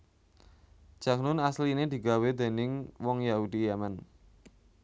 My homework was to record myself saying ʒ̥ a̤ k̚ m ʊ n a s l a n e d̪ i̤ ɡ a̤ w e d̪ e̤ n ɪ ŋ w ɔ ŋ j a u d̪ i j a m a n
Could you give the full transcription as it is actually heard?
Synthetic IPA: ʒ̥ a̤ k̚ n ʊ n a s l i n e d̪ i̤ ɡ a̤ w e d̪ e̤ n ɪ ŋ w ɔ ŋ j a u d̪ i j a m a n